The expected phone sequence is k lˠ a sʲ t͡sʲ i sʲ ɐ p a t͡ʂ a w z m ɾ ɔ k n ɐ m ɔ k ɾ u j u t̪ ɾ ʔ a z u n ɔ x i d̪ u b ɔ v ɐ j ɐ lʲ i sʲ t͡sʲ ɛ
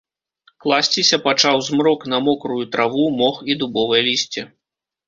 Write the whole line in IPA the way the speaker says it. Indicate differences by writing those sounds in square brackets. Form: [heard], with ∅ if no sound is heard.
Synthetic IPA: k lˠ a sʲ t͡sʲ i sʲ ɐ p a t͡ʂ a w z m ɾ ɔ k n ɐ m ɔ k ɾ u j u t̪ ɾ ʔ a [v] u [m] ɔ x i d̪ u b ɔ v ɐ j ɐ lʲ i sʲ t͡sʲ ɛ